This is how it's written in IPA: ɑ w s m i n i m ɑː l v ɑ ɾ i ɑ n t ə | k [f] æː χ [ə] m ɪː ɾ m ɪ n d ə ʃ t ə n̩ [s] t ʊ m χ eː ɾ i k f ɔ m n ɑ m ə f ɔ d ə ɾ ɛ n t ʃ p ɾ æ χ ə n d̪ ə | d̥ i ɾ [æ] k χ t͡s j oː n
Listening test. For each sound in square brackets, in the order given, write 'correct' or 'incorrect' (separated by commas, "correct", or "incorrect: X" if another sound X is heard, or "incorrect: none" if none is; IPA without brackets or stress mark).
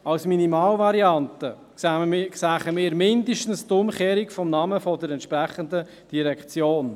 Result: incorrect: s, correct, correct, incorrect: ɛ